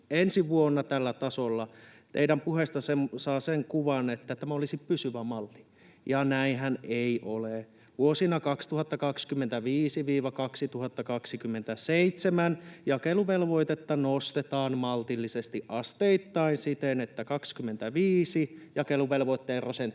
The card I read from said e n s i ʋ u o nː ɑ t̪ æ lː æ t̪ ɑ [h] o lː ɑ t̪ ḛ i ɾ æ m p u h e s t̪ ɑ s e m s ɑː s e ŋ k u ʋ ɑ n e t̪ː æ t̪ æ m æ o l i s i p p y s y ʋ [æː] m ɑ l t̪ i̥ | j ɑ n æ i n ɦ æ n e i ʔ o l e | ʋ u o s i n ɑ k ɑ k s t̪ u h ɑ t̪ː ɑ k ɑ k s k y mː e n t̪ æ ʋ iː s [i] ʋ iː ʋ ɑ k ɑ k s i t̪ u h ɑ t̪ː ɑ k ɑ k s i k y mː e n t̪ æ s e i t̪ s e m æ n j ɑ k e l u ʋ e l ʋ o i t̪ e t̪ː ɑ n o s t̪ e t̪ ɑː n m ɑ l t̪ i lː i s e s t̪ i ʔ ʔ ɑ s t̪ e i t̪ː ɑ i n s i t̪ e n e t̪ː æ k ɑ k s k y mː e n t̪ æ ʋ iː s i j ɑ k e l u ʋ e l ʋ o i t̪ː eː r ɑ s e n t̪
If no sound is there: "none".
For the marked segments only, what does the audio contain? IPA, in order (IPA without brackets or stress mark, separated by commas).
s, æ, i